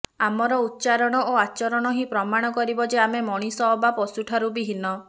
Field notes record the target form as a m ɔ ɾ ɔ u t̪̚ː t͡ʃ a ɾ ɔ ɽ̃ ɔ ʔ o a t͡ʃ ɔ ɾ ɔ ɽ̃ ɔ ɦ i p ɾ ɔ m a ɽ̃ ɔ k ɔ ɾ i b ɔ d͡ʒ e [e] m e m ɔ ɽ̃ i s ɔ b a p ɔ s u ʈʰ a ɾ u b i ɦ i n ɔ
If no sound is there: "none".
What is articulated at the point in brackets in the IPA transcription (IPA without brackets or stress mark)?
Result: a